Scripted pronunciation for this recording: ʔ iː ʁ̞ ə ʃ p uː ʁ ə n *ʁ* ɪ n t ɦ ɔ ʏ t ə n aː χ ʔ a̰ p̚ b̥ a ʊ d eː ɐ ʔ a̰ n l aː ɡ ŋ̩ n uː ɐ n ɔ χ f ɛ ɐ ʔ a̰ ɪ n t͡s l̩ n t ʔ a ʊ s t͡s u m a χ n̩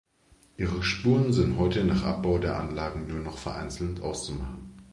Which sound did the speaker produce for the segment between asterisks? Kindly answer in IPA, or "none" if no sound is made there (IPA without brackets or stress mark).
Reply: z